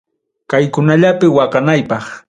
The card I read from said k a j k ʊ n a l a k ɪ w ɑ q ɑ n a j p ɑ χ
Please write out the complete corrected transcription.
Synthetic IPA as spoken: k a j k ʊ n a ʎ a p ɪ w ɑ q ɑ n a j p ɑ χ